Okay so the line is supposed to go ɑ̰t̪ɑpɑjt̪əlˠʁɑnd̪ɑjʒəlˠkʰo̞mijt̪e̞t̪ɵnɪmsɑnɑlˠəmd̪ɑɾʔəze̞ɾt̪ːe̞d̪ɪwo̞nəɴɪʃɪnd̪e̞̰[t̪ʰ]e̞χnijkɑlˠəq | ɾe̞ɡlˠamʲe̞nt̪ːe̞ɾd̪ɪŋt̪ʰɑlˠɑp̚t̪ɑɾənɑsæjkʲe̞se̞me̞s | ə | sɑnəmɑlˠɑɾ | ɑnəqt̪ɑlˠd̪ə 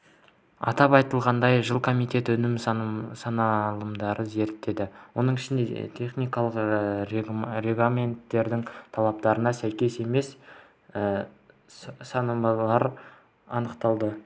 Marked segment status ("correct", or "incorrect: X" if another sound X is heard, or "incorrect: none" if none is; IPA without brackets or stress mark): correct